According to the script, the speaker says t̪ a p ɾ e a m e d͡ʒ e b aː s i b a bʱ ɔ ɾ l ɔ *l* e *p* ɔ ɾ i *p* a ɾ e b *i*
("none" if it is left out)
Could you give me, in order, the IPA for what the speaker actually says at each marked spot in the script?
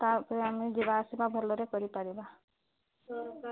ɾ, k, p, a

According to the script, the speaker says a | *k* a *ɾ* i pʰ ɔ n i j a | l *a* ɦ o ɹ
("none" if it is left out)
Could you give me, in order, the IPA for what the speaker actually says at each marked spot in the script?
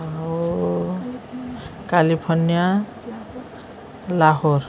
k, l, a

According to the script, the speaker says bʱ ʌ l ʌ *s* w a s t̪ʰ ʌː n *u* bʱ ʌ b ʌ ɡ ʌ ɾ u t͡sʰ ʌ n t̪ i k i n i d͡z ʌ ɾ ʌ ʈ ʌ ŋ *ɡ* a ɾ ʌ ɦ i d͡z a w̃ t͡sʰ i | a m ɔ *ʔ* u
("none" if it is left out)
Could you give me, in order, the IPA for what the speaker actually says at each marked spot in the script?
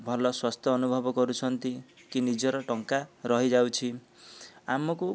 s, u, k, k

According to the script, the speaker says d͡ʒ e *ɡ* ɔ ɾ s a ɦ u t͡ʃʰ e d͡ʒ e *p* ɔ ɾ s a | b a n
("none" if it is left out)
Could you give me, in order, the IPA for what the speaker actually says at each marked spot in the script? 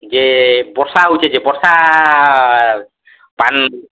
b, b

